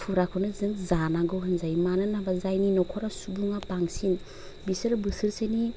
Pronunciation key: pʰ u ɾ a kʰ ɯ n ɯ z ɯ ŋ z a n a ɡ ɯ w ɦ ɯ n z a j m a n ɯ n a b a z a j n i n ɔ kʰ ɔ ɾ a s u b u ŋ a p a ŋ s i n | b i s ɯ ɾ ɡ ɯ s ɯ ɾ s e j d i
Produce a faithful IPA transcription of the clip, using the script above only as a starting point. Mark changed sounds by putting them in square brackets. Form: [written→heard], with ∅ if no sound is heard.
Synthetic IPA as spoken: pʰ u ɾ a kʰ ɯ n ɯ z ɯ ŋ z a n a ɡ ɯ w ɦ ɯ n z a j m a n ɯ n a b a z a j n i n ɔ kʰ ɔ ɾ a s u b u ŋ a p a ŋ s i n | b i s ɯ ɾ [ɡ→b] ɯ s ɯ ɾ s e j [d→n] i